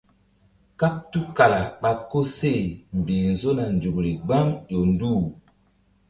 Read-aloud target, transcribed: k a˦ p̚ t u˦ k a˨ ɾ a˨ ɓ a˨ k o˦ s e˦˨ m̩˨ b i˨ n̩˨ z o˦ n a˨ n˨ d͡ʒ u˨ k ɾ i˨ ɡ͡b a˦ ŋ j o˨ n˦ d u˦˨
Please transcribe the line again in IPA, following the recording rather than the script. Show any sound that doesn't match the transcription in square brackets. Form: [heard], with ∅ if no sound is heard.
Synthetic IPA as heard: k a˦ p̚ t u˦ k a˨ [l] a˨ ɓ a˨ k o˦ s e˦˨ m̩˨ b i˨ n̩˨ z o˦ n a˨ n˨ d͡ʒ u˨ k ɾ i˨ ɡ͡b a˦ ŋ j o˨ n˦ d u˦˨